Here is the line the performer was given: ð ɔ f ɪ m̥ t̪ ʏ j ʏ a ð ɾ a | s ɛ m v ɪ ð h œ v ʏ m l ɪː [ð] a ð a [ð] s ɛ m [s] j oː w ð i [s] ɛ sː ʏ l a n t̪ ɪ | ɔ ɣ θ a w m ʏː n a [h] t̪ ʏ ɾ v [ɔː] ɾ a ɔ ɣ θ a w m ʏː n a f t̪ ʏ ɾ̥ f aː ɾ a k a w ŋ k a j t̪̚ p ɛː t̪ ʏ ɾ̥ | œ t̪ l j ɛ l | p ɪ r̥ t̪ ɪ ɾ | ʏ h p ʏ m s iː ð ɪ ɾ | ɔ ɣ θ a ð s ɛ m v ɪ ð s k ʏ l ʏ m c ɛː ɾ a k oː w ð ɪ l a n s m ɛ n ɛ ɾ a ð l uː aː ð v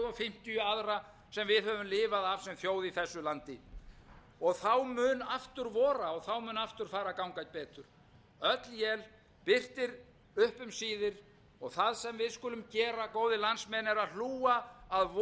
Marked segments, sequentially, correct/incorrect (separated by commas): incorrect, incorrect, incorrect, incorrect, incorrect, correct